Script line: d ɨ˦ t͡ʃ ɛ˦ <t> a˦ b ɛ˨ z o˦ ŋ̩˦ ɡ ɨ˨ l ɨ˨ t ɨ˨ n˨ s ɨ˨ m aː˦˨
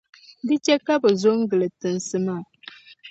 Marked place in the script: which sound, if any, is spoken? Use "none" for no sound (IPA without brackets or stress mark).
k